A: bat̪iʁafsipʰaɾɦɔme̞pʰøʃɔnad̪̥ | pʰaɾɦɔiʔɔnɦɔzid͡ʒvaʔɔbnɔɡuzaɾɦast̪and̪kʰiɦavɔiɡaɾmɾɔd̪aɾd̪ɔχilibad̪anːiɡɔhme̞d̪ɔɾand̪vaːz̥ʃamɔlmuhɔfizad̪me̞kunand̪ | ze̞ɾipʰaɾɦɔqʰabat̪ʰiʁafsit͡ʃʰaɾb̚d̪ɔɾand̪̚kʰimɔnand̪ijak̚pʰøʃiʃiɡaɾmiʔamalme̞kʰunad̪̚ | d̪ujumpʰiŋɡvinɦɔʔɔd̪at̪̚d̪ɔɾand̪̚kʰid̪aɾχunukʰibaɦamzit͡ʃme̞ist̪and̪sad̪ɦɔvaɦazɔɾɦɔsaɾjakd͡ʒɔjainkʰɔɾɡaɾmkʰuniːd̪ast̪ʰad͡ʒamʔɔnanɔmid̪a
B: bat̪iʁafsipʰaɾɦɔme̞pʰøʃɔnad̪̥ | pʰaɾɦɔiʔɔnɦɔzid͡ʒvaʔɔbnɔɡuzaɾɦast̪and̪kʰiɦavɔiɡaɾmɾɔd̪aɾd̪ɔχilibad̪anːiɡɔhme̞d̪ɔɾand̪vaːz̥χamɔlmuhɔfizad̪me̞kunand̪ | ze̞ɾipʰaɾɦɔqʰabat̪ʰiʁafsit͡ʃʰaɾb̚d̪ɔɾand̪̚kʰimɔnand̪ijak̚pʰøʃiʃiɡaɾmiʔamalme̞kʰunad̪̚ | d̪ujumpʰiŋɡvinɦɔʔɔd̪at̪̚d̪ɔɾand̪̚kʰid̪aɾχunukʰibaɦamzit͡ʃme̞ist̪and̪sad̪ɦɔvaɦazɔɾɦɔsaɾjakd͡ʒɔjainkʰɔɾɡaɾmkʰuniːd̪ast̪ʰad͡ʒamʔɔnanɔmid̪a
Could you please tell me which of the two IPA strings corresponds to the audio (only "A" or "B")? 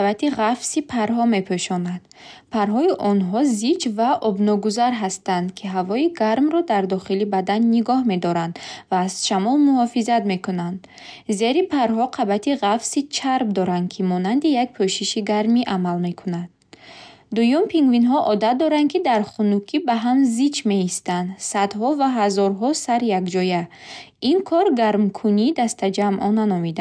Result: A